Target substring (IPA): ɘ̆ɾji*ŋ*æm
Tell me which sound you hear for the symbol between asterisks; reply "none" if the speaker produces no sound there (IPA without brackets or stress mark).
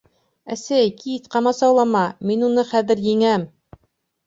ŋ